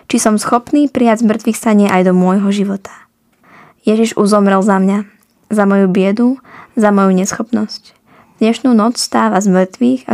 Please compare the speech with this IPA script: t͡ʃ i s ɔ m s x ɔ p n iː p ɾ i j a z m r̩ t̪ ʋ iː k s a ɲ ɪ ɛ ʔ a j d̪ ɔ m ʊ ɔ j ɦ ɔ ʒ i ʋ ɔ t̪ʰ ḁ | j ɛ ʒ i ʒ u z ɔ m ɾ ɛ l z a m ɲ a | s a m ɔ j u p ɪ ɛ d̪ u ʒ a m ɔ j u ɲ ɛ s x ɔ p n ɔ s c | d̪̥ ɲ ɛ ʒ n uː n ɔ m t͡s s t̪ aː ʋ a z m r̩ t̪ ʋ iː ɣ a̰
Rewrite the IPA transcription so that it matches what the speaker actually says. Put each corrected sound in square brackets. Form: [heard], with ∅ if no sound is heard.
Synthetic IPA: t͡ʃ i s ɔ m s x ɔ p n iː p ɾ i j a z m r̩ t̪ ʋ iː [x] s a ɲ ɪ ɛ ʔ a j d̪ ɔ m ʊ ɔ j ɦ ɔ ʒ i ʋ ɔ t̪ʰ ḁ | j ɛ ʒ i ʒ u z ɔ m ɾ ɛ l z a m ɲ a | [z] a m ɔ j u [b] ɪ ɛ d̪ u [z] a m ɔ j u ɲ ɛ s x ɔ p n ɔ s c | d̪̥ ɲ ɛ [ʃ] n uː n ɔ [∅] t͡s s t̪ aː ʋ a z m r̩ t̪ ʋ iː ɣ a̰